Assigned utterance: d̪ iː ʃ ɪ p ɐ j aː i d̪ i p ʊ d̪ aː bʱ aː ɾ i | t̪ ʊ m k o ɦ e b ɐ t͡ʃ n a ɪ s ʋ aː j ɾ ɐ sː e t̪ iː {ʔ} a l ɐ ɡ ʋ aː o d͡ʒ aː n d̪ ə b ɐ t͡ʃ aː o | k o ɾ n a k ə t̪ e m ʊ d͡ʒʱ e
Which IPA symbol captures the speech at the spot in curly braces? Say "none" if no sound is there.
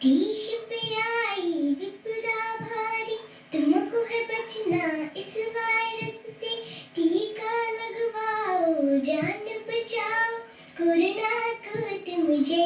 k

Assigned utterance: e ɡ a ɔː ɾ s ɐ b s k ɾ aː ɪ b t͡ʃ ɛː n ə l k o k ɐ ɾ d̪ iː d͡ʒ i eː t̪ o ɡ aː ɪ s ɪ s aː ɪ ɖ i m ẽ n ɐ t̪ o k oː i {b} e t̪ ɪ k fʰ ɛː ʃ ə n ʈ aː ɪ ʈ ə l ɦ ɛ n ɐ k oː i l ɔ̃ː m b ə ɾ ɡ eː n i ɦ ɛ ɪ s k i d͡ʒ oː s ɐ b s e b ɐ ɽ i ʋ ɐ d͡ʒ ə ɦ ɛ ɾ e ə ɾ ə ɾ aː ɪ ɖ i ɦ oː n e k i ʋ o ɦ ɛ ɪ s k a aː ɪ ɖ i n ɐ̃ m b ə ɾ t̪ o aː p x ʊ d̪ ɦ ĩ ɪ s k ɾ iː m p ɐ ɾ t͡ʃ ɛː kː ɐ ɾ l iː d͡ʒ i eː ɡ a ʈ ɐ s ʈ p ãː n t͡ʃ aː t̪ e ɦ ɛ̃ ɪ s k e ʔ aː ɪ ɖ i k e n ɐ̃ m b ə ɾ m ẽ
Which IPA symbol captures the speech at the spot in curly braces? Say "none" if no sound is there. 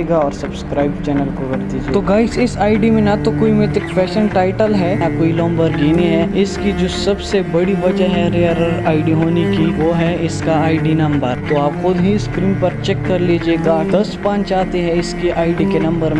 m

